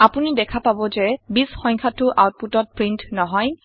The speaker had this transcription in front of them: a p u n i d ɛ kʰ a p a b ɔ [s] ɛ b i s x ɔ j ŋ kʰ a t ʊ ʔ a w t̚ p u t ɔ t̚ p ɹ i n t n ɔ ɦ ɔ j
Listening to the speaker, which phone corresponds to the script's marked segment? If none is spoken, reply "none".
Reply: z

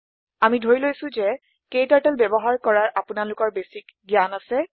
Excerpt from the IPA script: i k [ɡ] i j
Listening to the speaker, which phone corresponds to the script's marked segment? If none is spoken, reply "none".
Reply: ɡ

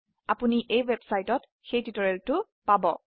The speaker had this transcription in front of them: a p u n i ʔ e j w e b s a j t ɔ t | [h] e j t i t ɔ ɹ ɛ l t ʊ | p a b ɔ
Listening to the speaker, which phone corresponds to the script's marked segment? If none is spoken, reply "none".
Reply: x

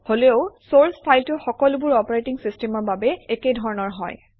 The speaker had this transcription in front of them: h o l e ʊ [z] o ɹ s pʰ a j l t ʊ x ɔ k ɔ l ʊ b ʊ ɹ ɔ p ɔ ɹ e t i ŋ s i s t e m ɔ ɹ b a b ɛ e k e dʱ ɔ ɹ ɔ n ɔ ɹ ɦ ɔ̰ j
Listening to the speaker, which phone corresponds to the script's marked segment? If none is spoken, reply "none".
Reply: s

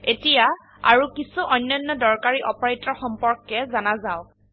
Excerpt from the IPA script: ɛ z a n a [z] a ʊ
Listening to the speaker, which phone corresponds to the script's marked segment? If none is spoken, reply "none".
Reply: z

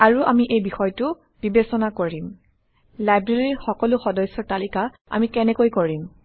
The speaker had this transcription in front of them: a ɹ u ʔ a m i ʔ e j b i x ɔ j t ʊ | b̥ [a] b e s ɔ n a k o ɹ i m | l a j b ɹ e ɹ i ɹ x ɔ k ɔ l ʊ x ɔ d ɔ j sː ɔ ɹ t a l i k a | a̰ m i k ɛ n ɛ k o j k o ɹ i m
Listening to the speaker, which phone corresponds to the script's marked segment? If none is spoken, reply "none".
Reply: i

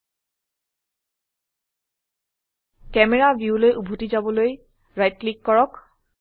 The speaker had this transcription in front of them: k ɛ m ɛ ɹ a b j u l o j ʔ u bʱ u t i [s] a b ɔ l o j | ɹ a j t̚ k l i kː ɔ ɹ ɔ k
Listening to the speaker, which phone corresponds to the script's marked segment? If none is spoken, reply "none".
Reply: z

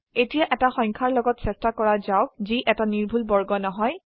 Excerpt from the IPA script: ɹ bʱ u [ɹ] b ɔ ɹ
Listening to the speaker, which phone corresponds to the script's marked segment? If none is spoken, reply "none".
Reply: l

